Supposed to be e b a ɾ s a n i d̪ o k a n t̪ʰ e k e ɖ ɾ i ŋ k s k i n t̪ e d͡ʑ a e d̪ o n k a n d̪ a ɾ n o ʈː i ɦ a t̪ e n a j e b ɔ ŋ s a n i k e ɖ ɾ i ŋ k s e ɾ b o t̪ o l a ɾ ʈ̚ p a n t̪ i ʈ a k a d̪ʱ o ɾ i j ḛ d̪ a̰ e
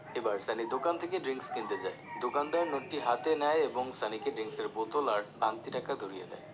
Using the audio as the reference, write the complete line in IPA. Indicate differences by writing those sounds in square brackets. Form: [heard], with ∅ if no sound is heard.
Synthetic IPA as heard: e b a ɾ s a n i d̪ o k a n t̪ʰ e k e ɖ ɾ i ŋ k s k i n t̪ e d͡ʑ a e d̪ o [∅] k a n d̪ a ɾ n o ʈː i ɦ a t̪ e n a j e b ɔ ŋ s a n i k e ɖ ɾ i ŋ k s e ɾ b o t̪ o l a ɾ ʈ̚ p a n t̪ i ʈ a k a d̪ʱ o ɾ i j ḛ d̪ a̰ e